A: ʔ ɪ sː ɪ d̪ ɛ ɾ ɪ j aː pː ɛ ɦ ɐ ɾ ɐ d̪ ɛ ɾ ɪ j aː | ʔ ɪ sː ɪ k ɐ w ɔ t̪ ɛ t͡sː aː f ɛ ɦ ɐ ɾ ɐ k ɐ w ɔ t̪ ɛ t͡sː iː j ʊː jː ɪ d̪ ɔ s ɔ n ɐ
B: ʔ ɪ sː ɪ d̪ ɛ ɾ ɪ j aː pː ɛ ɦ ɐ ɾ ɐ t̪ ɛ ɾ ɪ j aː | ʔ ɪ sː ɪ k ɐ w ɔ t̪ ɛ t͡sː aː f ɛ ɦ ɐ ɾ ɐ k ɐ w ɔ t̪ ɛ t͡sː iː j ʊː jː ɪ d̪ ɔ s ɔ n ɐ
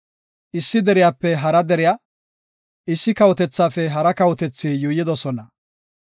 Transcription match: A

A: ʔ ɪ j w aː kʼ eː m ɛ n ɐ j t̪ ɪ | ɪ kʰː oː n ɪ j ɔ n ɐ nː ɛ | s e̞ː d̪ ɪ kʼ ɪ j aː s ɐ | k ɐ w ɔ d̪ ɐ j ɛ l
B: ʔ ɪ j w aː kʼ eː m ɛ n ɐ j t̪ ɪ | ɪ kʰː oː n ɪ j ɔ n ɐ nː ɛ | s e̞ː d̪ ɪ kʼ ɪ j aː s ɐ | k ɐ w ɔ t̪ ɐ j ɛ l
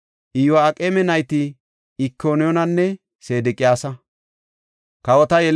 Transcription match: B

